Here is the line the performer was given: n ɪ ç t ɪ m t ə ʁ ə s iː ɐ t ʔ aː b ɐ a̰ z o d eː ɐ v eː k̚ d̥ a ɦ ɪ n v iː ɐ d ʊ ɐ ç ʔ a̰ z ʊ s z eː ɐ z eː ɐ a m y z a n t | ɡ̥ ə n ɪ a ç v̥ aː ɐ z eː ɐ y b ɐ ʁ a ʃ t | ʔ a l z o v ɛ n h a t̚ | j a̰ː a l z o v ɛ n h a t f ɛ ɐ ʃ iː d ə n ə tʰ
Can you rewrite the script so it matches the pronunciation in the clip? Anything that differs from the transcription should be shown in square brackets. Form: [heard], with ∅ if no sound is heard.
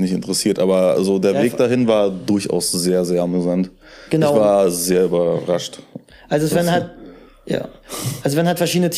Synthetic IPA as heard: n ɪ ç t ɪ [n] t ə ʁ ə s iː ɐ t ʔ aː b ɐ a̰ z o d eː ɐ v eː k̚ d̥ a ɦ ɪ n v [aː] ɐ d ʊ ɐ ç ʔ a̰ [∅] ʊ s z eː ɐ z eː ɐ a m y z a n t | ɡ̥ ə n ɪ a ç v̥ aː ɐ z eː ɐ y b ɐ ʁ a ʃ t | ʔ a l z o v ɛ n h a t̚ | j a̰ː a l z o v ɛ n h a t f ɛ ɐ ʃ iː d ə n ə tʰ